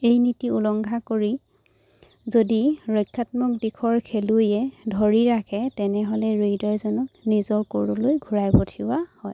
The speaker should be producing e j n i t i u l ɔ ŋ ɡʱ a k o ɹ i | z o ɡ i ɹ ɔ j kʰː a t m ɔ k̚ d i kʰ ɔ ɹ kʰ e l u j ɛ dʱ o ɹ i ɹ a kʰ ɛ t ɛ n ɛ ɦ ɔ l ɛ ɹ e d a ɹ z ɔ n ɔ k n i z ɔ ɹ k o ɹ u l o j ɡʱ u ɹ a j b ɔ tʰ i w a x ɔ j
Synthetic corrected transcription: e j n i t i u l ɔ ŋ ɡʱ a k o ɹ i | z o d i ɹ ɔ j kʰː a t m ɔ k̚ d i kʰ ɔ ɹ kʰ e l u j ɛ dʱ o ɹ i ɹ a kʰ ɛ t ɛ n ɛ ɦ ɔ l ɛ ɹ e d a ɹ z ɔ n ɔ k n i z ɔ ɹ k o ɹ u l o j ɡʱ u ɹ a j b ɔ tʰ i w a h ɔ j